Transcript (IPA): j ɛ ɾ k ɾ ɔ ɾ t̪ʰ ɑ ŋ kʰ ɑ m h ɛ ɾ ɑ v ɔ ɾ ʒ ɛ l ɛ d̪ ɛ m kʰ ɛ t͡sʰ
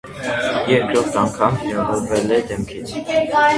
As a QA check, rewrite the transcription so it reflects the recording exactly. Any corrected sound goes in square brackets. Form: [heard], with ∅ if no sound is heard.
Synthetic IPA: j ɛ ɾ k ɾ ɔ ɾ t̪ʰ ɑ ŋ kʰ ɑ m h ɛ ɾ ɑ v ɔ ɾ [v] ɛ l ɛ d̪ ɛ m kʰ [i] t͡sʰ